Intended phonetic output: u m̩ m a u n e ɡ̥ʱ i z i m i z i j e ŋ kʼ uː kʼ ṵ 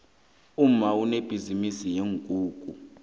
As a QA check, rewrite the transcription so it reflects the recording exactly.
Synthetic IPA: u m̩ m a u n e b̥ʱ i z i m i s i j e ŋ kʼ uː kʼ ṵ